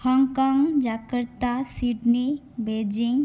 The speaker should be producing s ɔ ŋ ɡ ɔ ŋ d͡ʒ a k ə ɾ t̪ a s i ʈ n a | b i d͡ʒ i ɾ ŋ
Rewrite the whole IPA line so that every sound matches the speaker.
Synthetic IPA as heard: h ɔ ŋ k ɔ ŋ d͡ʒ a k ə ɾ t̪ a s i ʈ n i | b e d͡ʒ i ŋ